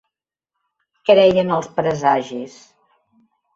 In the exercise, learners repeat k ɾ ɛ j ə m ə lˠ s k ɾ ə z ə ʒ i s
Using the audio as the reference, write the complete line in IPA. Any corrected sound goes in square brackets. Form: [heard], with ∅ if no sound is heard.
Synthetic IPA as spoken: k ɾ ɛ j ə [n] ə lˠ s [p] ɾ ə z [a] ʒ i s